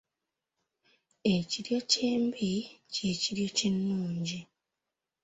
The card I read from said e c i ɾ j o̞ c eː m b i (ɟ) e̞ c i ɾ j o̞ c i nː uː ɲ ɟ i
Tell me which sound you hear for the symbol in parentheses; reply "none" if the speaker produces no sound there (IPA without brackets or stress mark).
c